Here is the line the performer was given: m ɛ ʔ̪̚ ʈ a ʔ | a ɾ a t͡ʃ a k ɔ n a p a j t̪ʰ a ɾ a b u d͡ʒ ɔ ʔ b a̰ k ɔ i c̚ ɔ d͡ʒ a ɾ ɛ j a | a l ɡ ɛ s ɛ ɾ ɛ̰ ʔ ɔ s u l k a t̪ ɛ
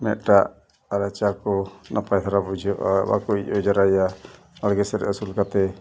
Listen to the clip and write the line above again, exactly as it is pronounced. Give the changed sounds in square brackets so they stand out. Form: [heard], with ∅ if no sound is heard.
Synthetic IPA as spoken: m ɛ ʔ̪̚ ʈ a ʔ | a ɾ a t͡ʃ a k ɔ n a p a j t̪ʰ a ɾ a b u d͡ʒ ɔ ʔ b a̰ k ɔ i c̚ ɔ d͡ʒ a ɾ [a] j a | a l ɡ ɛ s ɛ ɾ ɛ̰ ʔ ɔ s u l k a t̪ ɛ